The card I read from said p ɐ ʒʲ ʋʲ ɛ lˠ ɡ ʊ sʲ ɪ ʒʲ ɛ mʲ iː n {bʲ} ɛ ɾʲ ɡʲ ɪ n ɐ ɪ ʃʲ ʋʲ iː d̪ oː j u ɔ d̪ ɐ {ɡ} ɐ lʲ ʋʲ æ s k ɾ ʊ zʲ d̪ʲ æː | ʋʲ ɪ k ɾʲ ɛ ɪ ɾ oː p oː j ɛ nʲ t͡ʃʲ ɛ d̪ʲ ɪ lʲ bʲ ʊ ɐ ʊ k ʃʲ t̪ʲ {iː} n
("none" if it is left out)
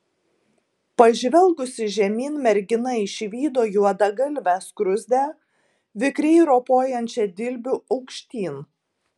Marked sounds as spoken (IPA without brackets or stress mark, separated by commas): mʲ, ɡ, iː